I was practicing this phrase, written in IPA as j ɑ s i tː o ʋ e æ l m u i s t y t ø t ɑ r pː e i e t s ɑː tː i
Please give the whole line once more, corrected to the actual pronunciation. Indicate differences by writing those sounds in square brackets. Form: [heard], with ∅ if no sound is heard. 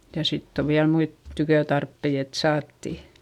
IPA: j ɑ s i tː o ʋ [i] æ l m u i [t] t y [k] ø t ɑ r pː e i e t s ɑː tː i

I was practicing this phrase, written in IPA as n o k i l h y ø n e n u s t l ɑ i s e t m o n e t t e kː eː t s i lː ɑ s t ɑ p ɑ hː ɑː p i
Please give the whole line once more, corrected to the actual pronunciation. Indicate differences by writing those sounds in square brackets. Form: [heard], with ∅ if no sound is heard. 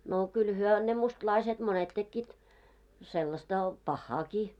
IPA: n o k [y] l h y ø n e [m] u s t l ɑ i s e t m o n e t t e kː [iː] t s [e] lː ɑ s t ɑ p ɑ hː ɑː [k] i

